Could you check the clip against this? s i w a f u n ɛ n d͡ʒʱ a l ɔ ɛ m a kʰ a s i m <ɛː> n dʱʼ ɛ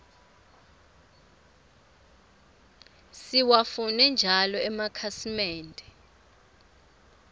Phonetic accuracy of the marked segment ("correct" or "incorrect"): correct